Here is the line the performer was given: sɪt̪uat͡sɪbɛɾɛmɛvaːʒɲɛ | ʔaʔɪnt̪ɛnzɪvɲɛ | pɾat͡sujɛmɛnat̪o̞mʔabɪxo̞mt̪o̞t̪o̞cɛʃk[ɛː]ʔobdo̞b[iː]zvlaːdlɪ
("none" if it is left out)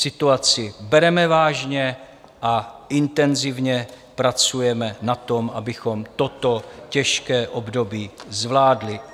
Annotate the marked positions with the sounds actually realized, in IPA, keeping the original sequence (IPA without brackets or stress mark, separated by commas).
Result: ɛː, iː